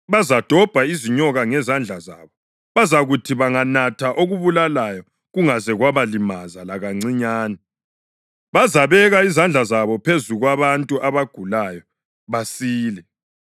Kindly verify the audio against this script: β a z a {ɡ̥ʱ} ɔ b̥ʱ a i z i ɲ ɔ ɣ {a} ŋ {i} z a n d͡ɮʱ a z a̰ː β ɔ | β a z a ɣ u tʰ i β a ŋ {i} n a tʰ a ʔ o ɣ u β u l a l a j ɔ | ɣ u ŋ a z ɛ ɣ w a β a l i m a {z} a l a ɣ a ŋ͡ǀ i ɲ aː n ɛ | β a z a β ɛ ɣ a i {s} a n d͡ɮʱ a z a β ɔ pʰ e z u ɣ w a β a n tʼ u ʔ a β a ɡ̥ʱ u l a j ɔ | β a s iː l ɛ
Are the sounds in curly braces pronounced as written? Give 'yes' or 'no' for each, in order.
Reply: no, yes, no, no, yes, no

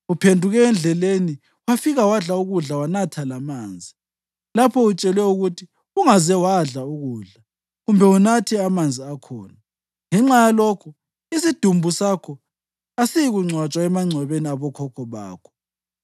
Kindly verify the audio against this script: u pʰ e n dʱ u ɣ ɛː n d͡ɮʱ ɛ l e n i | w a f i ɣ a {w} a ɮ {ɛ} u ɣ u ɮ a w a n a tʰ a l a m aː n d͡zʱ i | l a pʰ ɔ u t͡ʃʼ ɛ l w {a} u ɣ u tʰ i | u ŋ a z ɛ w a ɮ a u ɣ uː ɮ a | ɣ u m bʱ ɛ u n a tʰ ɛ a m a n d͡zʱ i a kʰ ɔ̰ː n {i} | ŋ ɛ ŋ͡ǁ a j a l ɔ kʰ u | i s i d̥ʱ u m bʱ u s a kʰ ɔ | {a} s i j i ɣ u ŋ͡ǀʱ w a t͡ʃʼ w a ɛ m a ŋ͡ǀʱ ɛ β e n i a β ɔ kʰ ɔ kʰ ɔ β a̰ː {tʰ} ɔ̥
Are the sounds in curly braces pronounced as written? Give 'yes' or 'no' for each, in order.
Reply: yes, no, no, no, yes, no

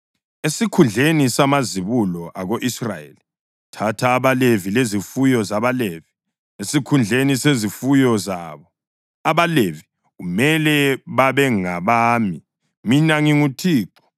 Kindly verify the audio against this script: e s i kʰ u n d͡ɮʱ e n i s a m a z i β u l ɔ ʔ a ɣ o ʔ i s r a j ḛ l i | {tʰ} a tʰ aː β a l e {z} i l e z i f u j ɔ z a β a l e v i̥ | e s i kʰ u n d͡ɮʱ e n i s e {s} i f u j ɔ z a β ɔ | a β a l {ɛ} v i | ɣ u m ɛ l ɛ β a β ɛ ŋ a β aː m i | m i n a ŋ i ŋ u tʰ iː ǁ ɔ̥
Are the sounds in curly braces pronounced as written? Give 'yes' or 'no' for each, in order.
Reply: yes, no, no, no

